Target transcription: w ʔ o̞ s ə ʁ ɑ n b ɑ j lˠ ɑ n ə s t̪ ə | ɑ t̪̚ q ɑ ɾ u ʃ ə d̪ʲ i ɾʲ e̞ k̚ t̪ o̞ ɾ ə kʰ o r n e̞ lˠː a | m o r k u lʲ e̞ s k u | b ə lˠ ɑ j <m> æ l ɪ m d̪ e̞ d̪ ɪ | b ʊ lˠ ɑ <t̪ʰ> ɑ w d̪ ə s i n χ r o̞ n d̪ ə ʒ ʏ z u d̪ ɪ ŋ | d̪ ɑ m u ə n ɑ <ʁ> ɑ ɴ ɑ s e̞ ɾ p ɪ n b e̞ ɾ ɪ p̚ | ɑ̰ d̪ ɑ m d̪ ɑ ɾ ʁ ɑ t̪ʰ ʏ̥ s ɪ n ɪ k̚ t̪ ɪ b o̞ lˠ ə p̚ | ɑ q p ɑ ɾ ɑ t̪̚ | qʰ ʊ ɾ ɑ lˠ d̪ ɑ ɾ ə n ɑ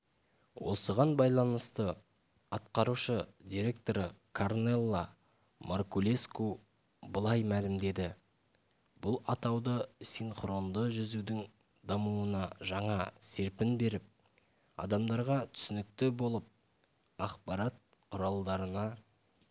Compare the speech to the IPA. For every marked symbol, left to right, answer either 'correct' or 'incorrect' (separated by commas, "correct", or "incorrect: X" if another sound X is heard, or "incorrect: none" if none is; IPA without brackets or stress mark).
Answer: correct, incorrect: t̪, incorrect: ʒ